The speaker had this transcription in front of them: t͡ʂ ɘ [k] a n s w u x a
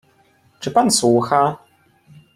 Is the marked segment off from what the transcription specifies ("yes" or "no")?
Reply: yes